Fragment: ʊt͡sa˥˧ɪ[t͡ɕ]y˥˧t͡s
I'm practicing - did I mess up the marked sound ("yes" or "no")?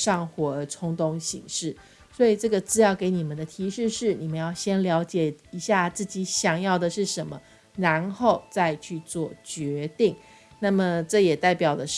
yes